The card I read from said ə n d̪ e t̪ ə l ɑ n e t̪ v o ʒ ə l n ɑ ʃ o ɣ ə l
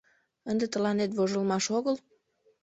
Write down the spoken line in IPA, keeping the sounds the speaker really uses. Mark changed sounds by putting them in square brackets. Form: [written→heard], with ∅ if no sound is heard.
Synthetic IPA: ə n d̪ e t̪ ə l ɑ n e t̪ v o ʒ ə l [n→m] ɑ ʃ o ɣ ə l